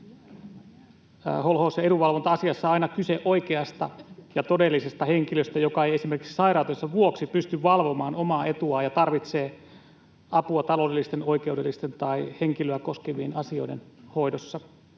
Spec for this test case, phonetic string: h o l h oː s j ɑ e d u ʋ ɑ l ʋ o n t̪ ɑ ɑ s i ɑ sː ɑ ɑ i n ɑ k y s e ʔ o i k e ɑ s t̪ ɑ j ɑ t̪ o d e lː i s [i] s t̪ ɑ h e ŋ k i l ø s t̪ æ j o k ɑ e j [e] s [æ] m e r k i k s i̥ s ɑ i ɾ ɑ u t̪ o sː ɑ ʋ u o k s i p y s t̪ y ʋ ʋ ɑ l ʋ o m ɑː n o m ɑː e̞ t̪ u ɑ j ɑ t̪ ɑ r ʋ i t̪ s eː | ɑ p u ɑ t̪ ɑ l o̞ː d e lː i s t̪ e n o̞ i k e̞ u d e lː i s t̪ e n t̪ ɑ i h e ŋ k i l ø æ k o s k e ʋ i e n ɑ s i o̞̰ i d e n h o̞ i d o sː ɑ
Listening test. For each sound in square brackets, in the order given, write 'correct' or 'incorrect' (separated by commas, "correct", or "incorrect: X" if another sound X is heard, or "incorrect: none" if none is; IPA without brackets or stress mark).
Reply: incorrect: e, correct, incorrect: i